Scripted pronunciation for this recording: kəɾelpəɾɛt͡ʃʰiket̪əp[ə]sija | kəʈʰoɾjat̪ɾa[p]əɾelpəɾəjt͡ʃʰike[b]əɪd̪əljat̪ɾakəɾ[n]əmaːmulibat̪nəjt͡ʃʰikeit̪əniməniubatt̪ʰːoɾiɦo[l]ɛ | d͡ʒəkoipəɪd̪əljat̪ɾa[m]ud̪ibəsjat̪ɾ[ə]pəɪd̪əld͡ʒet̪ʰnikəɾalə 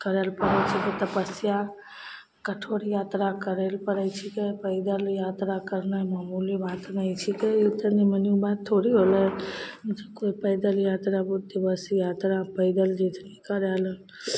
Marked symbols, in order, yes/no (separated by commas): yes, no, no, yes, yes, no, no